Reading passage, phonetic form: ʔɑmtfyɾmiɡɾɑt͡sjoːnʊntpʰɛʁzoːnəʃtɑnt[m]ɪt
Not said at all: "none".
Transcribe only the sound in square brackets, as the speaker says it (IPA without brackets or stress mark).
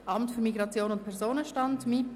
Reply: m